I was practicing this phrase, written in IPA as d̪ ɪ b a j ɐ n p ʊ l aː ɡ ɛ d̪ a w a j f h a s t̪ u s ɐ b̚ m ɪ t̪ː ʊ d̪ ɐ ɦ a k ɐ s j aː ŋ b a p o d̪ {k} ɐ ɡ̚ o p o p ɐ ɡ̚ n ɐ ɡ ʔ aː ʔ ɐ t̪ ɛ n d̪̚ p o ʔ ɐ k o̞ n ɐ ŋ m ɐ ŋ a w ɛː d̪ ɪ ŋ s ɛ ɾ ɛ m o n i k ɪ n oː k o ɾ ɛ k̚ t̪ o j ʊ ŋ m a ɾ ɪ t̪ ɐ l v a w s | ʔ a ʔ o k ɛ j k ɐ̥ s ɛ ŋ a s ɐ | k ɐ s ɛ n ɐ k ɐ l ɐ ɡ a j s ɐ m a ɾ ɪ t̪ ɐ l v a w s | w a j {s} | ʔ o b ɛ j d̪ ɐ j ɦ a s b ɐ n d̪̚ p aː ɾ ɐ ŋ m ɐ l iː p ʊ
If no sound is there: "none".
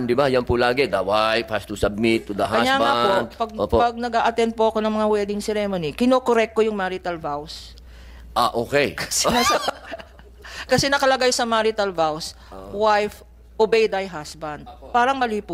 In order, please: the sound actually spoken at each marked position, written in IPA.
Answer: p, f

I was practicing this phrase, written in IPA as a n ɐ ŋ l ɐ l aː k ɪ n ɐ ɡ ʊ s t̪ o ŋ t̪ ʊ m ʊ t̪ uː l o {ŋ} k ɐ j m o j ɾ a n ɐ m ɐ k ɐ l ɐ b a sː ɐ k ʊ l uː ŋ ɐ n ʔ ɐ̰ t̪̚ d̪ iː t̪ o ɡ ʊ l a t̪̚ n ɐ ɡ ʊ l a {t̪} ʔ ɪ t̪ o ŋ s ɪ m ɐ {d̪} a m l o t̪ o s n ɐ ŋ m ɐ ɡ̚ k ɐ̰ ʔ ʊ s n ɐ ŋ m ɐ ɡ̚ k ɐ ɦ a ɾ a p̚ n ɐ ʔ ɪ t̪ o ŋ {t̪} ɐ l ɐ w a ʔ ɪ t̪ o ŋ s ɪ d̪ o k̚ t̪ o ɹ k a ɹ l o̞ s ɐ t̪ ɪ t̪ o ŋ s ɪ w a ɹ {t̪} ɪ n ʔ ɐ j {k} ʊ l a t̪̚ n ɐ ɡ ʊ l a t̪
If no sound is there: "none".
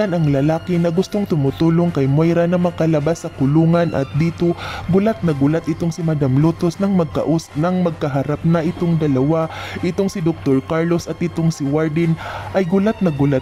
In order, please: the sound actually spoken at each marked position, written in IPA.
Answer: ŋ, t̪, d̪, d̪, d̪, ɡ

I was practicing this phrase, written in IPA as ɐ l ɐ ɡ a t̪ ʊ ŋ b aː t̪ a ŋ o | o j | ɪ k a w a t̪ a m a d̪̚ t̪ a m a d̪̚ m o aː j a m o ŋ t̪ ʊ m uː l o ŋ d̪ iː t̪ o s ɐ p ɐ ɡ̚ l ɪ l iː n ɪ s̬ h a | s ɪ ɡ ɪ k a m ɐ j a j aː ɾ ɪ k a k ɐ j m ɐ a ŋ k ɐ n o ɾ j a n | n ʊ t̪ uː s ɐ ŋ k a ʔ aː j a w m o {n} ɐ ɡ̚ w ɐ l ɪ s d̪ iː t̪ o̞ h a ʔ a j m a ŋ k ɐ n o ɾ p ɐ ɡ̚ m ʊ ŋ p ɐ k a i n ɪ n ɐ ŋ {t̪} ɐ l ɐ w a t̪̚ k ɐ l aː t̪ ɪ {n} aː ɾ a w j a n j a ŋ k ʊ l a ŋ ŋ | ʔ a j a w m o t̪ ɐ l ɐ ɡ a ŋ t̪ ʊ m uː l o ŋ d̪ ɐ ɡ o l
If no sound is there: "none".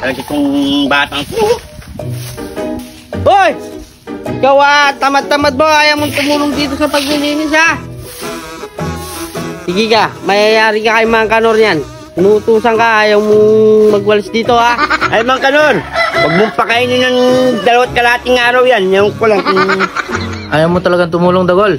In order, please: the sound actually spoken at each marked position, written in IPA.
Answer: m, d̪, ŋ

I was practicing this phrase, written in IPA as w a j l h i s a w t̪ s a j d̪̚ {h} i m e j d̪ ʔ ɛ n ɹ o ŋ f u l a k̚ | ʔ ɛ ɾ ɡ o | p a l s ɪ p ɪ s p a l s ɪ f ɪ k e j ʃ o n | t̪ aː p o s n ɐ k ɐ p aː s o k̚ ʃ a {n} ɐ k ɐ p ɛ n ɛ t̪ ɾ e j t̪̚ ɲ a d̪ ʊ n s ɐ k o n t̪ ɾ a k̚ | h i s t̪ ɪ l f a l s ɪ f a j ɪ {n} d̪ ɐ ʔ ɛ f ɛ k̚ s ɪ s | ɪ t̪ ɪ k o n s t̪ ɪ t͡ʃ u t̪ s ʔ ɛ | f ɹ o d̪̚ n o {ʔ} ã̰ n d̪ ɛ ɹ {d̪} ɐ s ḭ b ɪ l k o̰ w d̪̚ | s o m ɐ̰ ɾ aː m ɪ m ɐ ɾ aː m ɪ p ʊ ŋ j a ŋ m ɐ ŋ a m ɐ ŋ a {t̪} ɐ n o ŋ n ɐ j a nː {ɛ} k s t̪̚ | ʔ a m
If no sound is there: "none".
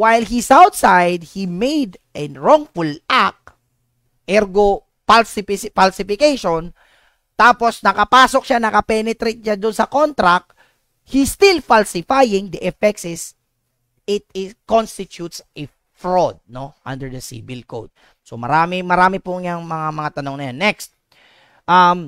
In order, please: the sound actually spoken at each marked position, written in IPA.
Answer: h, n, ŋ, ʔ, d̪, t̪, ɛ

